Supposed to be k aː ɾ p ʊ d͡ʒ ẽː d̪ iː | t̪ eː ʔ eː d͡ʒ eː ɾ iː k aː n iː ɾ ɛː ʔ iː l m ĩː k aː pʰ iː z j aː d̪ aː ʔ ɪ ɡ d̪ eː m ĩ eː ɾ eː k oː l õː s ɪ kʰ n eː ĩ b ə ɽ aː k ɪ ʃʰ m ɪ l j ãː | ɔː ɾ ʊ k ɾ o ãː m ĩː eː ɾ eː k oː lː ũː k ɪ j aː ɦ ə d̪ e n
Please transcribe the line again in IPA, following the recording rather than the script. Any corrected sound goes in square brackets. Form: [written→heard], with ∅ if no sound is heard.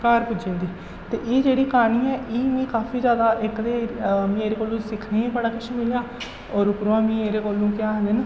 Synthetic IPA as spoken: k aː ɾ p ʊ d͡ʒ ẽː d̪ iː | t̪ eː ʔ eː d͡ʒ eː [ɾ→ɽ] iː k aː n iː [ɾ→∅] ɛː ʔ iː [l→∅] m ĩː k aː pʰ iː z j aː d̪ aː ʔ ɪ [ɡ→k] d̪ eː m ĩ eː ɾ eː k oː l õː s ɪ kʰ n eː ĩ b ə ɽ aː k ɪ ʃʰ m ɪ l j [ãː→aː] | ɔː ɾ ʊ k ɾ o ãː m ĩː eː ɾ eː k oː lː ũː k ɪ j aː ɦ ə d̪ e n